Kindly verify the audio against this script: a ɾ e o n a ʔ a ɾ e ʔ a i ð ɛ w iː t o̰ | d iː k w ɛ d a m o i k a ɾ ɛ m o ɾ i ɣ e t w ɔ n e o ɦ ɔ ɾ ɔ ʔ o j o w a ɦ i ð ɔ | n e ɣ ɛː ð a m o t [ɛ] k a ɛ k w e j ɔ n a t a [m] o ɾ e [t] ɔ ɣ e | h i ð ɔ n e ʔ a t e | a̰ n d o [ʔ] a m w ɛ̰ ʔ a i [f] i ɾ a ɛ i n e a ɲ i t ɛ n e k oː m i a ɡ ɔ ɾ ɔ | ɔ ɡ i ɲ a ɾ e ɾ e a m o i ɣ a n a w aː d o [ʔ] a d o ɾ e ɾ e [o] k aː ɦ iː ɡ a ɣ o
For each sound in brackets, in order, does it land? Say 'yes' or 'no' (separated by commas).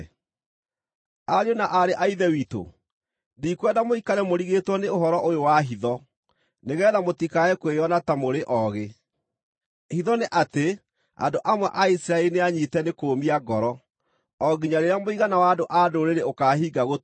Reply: no, yes, no, yes, no, yes, yes